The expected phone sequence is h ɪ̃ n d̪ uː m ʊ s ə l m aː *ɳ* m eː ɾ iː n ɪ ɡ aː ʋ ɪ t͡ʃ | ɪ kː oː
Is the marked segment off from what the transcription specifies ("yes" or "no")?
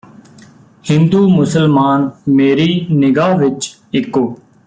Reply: yes